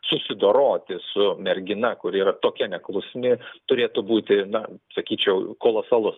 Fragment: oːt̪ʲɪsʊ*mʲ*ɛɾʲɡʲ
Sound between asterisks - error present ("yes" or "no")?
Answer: no